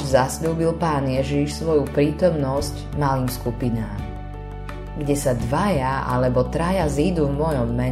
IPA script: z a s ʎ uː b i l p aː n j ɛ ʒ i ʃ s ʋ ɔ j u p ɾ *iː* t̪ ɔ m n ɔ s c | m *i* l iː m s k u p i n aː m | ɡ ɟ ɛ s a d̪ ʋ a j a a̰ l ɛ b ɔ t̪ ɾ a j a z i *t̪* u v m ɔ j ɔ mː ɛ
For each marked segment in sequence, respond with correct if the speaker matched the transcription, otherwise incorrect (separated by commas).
correct, incorrect, incorrect